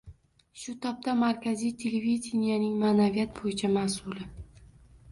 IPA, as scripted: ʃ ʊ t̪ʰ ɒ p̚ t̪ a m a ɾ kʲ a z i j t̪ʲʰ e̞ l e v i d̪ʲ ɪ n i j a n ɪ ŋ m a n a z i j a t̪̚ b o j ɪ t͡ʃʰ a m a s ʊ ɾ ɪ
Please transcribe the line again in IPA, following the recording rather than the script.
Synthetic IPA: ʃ ʊ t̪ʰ ɒ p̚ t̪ a m a ɾ kʲ a z i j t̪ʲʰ e̞ l e v i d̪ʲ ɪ n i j a n ɪ ŋ m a n a v i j a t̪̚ b o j ɪ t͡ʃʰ a m a s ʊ l ɪ

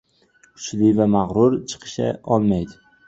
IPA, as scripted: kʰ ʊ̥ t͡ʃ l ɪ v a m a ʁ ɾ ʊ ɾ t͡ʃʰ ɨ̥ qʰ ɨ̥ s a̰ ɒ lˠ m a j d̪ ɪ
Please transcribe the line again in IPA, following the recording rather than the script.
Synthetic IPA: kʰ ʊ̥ t͡ʃ l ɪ v a m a ʁ ɾ ʊ ɾ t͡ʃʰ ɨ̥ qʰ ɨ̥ ʃ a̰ ɒ lˠ m a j d̪ ɪ

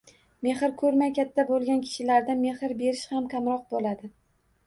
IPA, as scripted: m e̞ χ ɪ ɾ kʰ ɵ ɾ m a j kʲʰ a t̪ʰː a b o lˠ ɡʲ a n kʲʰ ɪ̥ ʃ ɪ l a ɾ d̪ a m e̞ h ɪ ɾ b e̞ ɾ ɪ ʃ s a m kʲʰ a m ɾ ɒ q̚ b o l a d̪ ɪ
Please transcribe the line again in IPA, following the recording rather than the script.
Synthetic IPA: m e̞ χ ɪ ɾ kʰ ɵ ɾ m a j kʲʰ a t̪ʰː a b o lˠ ɡʲ a n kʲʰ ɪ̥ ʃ ɪ l a ɾ d̪ a m e̞ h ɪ ɾ b e̞ ɾ ɪ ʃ h a m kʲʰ a m ɾ ɒ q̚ b o l a d̪ ɪ

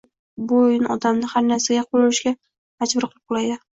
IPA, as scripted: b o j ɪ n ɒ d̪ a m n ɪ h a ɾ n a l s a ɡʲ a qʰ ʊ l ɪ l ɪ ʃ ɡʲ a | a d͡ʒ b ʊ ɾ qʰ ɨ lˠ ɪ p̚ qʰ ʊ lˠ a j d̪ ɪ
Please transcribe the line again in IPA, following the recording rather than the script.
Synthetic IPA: b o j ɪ n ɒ d̪ a m n ɪ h a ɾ n a ɾ s a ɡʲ a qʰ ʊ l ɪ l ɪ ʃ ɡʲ a | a d͡ʒ b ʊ ɾ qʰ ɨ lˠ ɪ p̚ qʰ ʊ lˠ a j d̪ ɪ

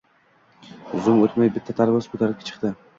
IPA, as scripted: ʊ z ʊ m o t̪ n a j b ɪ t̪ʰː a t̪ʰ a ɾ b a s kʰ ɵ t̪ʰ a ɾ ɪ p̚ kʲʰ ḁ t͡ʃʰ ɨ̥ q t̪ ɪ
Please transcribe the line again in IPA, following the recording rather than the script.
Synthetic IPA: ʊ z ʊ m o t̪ m a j b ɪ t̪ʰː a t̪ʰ a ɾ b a s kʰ ɵ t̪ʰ a ɾ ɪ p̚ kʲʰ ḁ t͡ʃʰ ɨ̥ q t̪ ɪ

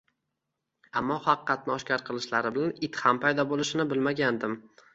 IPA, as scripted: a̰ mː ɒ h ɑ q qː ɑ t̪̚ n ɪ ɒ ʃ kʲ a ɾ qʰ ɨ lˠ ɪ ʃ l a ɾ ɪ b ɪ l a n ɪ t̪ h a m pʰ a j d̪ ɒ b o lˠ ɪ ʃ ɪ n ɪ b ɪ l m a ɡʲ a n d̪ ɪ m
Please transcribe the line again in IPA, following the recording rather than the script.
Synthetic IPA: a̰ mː ɒ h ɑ q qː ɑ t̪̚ n ɪ ɒ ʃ kʲ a ɾ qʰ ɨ lˠ ɪ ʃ l a ɾ ɪ b ɪ l a n ɪ t̪ h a m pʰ a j d̪ ɒ b o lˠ ɪ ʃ ɪ n ɪ b ɪ l m a ɡʲ a n d̪ ɪ m

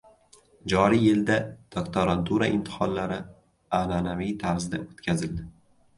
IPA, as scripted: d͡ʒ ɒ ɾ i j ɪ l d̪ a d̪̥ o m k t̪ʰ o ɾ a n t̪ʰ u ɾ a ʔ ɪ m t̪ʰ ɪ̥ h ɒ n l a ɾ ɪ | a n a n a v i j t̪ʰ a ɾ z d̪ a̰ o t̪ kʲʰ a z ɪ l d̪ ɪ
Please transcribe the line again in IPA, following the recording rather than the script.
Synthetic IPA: d͡ʒ ɒ ɾ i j ɪ l d̪ a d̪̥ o k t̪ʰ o ɾ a n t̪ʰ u ɾ a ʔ ɪ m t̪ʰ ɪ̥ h ɒ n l a ɾ ɪ | a n a n a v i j t̪ʰ a ɾ z d̪ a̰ o t̪ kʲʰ a z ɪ l d̪ ɪ

